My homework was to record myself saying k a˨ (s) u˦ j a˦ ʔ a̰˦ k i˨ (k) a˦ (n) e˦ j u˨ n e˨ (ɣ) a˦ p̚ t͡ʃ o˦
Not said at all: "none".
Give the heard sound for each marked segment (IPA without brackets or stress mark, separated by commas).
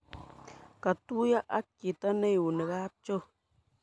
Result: t, t, n, ɣ